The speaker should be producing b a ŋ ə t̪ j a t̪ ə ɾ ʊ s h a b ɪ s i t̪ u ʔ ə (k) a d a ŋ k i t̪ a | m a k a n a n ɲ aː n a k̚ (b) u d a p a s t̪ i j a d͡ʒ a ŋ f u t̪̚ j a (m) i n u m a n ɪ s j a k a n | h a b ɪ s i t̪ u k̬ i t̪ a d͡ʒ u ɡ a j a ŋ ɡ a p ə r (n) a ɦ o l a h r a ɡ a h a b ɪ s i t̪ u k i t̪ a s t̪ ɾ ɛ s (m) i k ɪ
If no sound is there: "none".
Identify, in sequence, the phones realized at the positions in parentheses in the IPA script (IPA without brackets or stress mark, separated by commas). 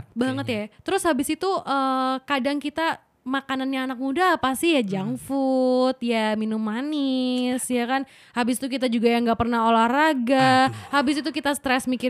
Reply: k, m, m, n, m